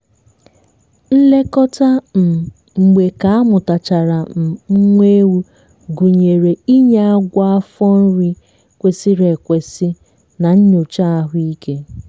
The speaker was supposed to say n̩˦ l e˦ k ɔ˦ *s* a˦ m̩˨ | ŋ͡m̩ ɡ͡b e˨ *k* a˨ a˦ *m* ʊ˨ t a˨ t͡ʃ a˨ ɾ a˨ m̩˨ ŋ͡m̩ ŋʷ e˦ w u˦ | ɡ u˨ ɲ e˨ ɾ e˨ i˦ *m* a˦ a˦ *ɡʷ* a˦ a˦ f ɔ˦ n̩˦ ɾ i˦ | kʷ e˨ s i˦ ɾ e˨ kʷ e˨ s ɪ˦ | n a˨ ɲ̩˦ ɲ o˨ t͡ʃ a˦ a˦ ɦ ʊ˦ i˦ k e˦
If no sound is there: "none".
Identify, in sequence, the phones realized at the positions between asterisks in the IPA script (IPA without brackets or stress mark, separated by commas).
t, k, m, ɲ, ɡʷ